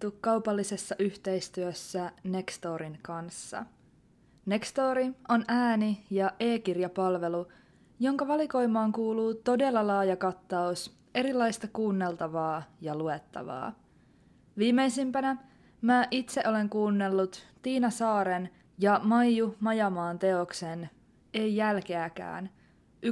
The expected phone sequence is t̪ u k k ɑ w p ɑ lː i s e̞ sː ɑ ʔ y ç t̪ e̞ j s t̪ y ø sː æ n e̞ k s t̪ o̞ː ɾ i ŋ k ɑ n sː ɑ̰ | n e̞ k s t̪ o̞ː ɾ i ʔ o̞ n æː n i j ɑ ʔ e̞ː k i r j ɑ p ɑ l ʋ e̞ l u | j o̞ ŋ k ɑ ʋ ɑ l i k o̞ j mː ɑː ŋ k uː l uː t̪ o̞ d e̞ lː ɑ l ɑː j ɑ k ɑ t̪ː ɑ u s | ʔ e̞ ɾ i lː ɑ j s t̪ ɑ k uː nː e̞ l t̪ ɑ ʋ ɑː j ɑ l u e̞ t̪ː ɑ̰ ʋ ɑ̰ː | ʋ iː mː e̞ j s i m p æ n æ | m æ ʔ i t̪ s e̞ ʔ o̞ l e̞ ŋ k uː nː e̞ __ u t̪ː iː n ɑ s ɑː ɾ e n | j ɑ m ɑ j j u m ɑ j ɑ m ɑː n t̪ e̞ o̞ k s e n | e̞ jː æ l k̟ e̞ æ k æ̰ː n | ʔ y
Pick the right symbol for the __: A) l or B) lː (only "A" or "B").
B